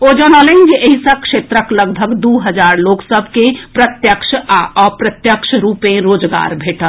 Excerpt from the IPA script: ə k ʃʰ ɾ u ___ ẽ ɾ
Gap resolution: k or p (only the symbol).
p